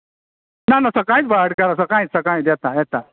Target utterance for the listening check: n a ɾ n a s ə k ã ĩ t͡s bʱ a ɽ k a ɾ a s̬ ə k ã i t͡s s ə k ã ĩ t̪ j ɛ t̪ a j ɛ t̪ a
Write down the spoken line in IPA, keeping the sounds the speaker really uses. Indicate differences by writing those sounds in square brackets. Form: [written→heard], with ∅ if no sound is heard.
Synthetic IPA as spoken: n a [ɾ→∅] n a s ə k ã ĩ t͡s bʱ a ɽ k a ɾ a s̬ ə k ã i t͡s s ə k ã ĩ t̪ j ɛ t̪ a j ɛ t̪ a

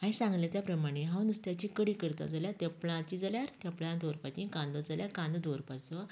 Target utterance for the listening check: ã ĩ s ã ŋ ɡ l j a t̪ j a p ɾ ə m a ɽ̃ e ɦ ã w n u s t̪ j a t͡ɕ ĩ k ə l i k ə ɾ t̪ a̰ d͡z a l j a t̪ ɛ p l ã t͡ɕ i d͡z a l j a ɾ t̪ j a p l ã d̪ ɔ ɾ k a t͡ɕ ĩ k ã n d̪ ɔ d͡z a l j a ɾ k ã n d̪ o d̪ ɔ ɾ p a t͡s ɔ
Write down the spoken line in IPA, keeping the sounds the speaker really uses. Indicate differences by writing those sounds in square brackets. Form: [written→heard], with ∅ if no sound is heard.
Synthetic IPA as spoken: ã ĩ s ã ŋ ɡ l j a t̪ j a p ɾ ə m a ɽ̃ e ɦ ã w n u s t̪ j a t͡ɕ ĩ k ə [l→ɽ] i k ə ɾ t̪ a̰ d͡z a l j a t̪ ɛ p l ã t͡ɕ i d͡z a l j a ɾ t̪ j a p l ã d̪ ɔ ɾ [k→p] a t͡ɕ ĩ k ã n d̪ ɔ d͡z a l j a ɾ k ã n d̪ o d̪ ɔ ɾ p a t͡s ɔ

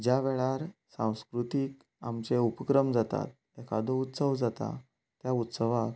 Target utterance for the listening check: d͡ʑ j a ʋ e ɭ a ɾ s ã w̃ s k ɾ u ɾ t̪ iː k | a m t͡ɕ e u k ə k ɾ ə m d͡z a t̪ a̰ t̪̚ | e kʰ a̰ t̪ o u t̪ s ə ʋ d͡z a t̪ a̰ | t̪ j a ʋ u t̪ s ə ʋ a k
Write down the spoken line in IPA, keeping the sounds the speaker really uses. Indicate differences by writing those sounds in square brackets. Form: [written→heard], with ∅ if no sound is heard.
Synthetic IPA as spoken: d͡ʑ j a ʋ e ɭ a ɾ s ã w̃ s k ɾ u [ɾ→∅] t̪ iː k | a m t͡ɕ e u [k→p] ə k ɾ ə m d͡z a t̪ a̰ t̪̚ | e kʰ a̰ [t̪→d̪] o u t̪ s ə ʋ d͡z a t̪ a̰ | t̪ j a [ʋ→∅] u t̪ s ə ʋ a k

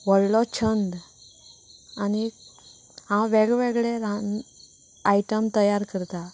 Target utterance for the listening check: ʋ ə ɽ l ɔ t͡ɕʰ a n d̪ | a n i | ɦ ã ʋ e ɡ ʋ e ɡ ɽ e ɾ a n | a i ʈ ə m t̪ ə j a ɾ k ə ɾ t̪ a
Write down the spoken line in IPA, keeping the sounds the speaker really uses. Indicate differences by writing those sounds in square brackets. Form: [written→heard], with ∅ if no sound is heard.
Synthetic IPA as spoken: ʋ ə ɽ l ɔ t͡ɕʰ [a→ə] n d̪ | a n i | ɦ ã ʋ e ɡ ʋ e ɡ [ɽ→ɭ] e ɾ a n | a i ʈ ə m t̪ ə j a ɾ k ə ɾ t̪ a

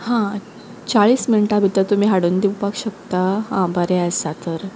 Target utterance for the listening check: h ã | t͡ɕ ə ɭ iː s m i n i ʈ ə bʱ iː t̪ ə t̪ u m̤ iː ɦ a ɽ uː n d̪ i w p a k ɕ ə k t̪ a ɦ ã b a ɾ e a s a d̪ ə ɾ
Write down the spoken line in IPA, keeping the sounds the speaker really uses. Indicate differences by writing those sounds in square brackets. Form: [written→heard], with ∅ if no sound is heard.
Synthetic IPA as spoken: h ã | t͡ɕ [ə→a] ɭ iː s m i n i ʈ [ə→a] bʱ [iː→i] t̪ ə t̪ u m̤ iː ɦ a ɽ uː n d̪ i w p a k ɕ ə k t̪ a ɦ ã b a ɾ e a s a [d̪→t̪] ə ɾ

